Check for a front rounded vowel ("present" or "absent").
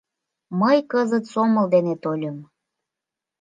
absent